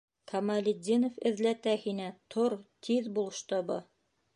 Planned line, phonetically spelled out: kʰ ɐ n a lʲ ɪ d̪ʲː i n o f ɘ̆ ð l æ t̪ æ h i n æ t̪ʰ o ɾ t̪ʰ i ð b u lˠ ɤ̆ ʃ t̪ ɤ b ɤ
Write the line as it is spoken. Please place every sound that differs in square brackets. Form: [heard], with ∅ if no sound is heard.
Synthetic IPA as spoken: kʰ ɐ [m] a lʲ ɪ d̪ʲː i n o f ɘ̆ ð l æ t̪ æ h i n æ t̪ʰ o ɾ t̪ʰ i ð b u lˠ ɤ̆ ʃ t̪ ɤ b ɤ